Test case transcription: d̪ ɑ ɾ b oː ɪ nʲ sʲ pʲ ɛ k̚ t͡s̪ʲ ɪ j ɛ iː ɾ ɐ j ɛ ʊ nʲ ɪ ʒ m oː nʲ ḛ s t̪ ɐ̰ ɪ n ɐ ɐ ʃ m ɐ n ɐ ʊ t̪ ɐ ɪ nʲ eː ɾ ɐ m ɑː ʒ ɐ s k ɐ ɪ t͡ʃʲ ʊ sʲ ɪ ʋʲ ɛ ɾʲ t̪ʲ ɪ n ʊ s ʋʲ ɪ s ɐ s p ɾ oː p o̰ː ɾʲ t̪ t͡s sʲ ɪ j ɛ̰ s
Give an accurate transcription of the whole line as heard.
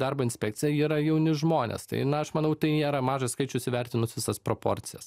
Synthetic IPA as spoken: d̪ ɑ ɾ b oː ɪ nʲ sʲ pʲ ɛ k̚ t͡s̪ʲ ɪ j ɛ iː ɾ ɐ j ɛ ʊ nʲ ɪ ʒ m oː nʲ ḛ s t̪ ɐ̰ ɪ n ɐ ɐ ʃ m ɐ n ɐ ʊ t̪ ɐ ɪ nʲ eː ɾ ɐ m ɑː ʒ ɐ s k ɐ ɪ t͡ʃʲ ʊ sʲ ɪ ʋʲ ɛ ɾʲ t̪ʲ ɪ n ʊ s ʋʲ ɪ s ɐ s p ɾ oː p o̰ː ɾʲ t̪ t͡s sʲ ɪ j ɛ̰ s